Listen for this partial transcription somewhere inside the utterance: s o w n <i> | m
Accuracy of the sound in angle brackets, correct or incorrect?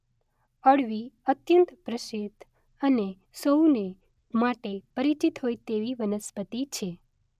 incorrect